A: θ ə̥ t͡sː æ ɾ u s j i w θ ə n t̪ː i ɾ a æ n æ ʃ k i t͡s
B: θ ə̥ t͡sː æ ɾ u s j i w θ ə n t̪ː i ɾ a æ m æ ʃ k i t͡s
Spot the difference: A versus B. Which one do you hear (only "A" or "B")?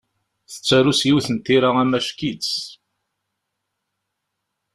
B